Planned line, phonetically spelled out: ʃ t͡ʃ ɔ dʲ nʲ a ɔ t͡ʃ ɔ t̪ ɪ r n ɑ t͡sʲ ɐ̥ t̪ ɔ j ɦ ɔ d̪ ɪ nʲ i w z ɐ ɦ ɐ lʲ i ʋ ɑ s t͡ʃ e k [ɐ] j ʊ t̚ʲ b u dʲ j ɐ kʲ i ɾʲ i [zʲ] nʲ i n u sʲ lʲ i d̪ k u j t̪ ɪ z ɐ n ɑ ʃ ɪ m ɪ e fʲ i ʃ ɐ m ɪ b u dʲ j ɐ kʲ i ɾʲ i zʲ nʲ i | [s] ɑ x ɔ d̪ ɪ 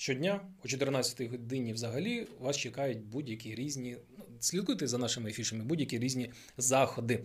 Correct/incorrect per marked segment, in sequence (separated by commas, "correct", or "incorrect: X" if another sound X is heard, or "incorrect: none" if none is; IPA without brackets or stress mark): incorrect: ɑ, correct, incorrect: z